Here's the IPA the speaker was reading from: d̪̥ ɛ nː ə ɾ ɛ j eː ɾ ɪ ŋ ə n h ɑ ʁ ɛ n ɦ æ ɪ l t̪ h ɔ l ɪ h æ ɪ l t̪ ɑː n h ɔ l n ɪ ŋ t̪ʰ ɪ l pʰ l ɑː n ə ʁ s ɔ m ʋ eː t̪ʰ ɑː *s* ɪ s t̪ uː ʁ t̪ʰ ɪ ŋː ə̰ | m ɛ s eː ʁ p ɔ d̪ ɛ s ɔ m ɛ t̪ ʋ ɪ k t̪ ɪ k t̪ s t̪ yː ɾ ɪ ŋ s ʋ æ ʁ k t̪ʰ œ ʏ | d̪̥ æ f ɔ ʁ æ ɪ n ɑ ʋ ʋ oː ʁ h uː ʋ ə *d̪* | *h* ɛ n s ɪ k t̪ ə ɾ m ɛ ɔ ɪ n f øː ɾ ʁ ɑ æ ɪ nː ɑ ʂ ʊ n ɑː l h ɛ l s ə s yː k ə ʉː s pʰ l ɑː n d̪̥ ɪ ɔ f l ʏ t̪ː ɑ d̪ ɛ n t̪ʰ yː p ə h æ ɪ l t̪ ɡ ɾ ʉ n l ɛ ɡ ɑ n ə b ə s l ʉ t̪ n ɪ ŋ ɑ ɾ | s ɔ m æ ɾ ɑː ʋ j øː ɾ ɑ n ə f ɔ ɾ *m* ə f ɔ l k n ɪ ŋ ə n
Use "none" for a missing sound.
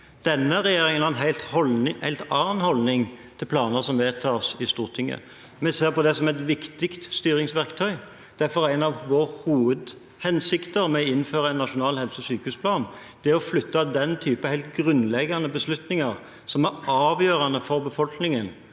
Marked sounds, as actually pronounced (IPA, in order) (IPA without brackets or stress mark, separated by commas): s, d̪, h, b